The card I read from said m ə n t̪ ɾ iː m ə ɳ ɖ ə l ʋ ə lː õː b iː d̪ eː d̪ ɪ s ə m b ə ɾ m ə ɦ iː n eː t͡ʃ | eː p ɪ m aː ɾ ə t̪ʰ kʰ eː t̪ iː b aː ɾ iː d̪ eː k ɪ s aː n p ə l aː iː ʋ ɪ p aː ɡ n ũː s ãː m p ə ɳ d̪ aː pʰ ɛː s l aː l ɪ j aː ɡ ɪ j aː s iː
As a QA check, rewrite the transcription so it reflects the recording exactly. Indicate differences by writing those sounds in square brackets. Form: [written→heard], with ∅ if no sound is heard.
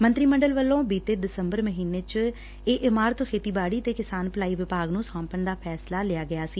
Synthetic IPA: m ə n t̪ ɾ iː m ə ɳ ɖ ə l ʋ ə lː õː b iː [d̪→t̪] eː d̪ ɪ s ə m b ə ɾ m ə ɦ iː n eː t͡ʃ | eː [p→ʔ] ɪ m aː ɾ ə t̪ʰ kʰ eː t̪ iː b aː [ɾ→ɽ] iː [d̪→t̪] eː k ɪ s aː n p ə l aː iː ʋ ɪ p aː ɡ n ũː s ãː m p ə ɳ d̪ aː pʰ ɛː s l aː l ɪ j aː ɡ ɪ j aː s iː